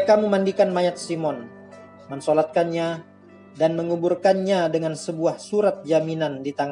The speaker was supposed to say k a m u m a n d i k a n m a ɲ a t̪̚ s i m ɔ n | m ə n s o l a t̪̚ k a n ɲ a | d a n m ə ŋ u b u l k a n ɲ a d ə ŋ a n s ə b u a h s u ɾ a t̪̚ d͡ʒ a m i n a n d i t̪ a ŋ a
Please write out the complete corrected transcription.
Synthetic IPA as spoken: k a m u m a n d i k a n m a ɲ a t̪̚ s i m ɔ n | m ə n s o l a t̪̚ k a n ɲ a | d a n m ə ŋ u b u r k a n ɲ a d ə ŋ a n s ə b u a h s u ɾ a t̪̚ d͡ʒ a m i n a n d i t̪ a ŋ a

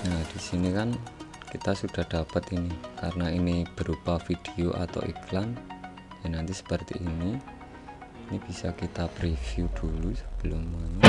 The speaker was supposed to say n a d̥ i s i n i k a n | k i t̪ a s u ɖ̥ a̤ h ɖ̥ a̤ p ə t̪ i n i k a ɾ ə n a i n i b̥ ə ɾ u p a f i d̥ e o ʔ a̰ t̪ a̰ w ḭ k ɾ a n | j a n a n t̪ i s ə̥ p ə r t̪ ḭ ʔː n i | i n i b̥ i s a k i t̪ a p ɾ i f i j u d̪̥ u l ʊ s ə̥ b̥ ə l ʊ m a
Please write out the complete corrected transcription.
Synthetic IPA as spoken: n a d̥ i s i n i k a n | k i t̪ a s u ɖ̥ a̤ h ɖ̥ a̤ p ə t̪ i n i k a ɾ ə n a i n i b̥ ə ɾ u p a f i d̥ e o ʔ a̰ t̪ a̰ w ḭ k l a n | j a n a n t̪ i s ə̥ p ə r t̪ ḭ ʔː n i | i n i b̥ i s a k i t̪ a p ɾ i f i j u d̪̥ u l u s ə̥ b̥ ə l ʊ m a

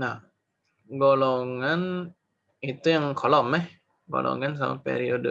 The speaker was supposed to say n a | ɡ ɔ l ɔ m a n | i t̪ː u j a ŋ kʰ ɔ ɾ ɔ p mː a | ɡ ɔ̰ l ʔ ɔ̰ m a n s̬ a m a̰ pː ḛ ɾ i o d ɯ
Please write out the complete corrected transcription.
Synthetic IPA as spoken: n a | ɡ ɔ l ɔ ŋ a n | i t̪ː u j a ŋ kʰ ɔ l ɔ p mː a | ɡ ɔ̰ l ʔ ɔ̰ ŋ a n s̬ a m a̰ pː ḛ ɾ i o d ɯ

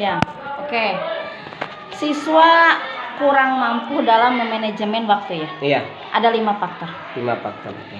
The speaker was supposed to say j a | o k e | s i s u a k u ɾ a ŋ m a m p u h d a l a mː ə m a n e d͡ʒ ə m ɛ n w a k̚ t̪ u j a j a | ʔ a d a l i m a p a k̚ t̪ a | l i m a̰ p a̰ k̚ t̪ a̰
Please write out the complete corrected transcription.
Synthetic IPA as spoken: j a | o k e | s i s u a k u ɾ a ŋ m a m p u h d a l a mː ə m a n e d͡ʒ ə m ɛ n w a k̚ t̪ u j a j a | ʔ a d a l i m a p a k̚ t̪ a | l i m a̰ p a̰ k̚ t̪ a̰

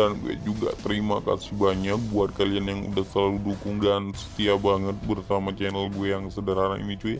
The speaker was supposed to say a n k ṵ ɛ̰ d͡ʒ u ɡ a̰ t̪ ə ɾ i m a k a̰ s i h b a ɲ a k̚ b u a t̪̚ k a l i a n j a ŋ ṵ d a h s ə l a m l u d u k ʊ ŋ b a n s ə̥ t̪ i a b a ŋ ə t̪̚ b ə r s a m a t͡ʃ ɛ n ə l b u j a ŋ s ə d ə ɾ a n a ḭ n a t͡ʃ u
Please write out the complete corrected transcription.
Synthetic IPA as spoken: a n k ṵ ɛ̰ d͡ʒ u ɡ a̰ t̪ ə ɾ i m a k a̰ s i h b a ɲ a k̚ b u a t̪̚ k a l i a n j a ŋ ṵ d a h s ə l a l u d u k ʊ ŋ d a n s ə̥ t̪ i a b a ŋ ə t̪̚ b ə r s a m a t͡ʃ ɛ n ə l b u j a ŋ s ə d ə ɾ a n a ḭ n i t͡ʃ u

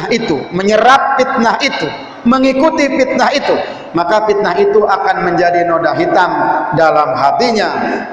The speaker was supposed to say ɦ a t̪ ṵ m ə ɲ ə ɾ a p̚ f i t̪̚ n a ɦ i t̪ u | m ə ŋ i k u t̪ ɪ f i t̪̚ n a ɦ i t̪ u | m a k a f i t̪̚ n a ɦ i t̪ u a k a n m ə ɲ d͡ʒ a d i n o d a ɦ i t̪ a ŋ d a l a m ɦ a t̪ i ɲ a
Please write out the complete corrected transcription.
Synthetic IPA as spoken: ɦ i t̪ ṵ m ə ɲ ə ɾ a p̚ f i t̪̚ n a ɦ i t̪ u | m ə ŋ i k u t̪ i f i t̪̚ n a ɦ i t̪ u | m a k a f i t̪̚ n a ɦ i t̪ u a k a n m ə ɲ d͡ʒ a d i n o d a ɦ i t̪ a ŋ d a l a m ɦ a t̪ i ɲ a

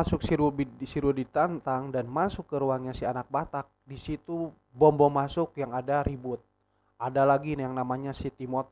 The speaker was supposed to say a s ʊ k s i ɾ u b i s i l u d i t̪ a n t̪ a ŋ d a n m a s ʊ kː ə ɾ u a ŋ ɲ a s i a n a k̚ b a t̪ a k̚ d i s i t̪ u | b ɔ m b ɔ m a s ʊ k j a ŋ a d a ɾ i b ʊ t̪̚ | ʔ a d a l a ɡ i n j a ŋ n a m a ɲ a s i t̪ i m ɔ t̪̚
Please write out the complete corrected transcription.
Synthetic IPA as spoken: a s ʊ k s i ɾ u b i s i ɾ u d i t̪ a n t̪ a ŋ d a n m a s ʊ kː ə ɾ u a ŋ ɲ a s i a n a k̚ b a t̪ a k̚ d i s i t̪ u | b ɔ m b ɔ m a s ʊ k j a ŋ a d a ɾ i b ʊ t̪̚ | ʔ a d a l a ɡ i n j a ŋ n a m a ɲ a s i t̪ i m ɔ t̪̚

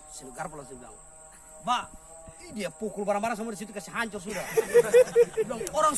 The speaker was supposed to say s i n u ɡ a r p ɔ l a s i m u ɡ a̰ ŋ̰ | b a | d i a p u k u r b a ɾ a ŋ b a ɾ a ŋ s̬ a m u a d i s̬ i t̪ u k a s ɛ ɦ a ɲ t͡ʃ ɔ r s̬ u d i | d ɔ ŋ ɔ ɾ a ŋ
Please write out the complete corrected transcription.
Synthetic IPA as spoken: s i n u ɡ a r p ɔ l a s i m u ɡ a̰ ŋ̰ | b a | d i a p u k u l b a ɾ a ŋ b a ɾ a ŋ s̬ a m u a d i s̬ i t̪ u k a s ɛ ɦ a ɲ t͡ʃ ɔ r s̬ u d a | d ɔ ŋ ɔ ɾ a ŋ

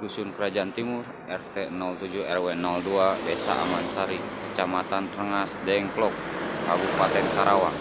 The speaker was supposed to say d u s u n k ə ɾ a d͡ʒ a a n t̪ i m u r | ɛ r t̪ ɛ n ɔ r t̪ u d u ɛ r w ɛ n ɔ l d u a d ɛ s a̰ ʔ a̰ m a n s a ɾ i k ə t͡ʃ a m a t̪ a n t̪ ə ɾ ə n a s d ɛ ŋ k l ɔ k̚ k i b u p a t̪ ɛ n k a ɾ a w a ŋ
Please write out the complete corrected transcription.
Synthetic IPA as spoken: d u s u n k ə ɾ a d͡ʒ a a n t̪ i m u r | ɛ r t̪ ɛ n ɔ l t̪ u d͡ʒ u ɛ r w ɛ n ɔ l d u a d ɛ s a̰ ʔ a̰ m a n s a ɾ i k ə t͡ʃ a m a t̪ a n t̪ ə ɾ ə ŋ a s d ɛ ŋ k l ɔ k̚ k a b u p a t̪ ɛ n k a ɾ a w a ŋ

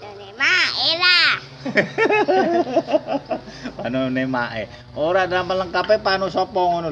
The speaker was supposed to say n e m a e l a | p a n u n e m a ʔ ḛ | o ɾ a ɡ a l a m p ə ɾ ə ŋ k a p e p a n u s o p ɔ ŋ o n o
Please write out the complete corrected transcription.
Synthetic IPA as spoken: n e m a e l a | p a n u n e m a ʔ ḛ | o ɾ a d a l a m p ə l ə ŋ k a p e p a n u s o p ɔ ŋ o n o

